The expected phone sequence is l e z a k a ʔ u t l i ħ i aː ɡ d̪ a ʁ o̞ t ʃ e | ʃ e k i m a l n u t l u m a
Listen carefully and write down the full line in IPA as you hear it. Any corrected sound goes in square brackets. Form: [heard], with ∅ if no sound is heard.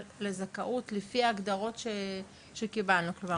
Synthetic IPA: l e z a k a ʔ u t l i [f] i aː ɡ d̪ a ʁ o̞ t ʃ e | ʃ e k i [b] a l n u [k] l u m a